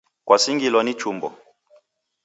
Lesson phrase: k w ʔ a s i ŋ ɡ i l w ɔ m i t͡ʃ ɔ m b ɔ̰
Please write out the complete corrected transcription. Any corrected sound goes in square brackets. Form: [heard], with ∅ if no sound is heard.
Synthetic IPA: k w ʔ a s i ŋ ɡ i l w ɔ [n] i t͡ʃ [u] m b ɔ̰